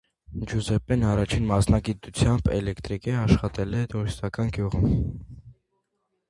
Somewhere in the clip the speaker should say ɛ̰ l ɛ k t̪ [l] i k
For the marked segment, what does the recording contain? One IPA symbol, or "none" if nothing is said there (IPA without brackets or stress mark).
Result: ɾ